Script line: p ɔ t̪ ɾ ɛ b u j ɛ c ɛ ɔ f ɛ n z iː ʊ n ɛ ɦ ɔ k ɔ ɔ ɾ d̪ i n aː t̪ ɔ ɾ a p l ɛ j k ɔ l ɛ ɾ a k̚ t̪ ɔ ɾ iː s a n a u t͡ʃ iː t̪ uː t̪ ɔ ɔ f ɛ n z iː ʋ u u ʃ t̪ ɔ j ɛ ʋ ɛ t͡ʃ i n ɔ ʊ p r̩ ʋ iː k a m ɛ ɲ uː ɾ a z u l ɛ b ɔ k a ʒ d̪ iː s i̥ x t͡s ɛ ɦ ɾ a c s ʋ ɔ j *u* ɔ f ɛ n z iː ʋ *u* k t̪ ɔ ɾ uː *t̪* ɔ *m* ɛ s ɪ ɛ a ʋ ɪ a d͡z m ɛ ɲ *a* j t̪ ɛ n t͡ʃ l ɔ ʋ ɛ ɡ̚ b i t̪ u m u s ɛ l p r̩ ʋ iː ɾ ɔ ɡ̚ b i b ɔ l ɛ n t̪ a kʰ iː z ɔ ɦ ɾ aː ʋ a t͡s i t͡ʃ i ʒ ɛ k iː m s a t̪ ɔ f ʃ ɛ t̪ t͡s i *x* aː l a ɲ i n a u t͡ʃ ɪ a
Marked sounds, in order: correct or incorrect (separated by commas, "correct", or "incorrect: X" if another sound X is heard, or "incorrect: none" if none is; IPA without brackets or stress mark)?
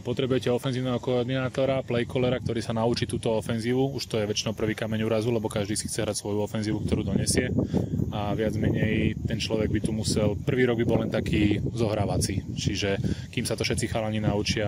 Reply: correct, correct, incorrect: d̪, incorrect: ɲ, incorrect: ɛ, correct